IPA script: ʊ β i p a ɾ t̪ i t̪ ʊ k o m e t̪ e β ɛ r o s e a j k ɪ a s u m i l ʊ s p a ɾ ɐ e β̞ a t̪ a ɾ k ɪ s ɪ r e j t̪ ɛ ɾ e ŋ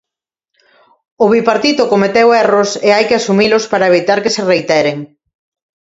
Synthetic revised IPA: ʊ β i p a ɾ t̪ i t̪ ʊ k o m e t̪ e w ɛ r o s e a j k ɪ a s u m i l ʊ s p a ɾ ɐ e β̞ i t̪ a ɾ k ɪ s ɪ r e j t̪ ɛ ɾ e ŋ